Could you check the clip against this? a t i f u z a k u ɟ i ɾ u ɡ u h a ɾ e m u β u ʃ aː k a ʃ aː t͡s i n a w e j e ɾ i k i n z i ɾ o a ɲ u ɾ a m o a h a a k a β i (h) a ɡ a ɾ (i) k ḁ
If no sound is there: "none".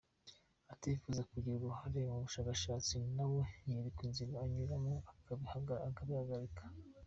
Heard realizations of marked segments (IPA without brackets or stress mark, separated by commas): h, i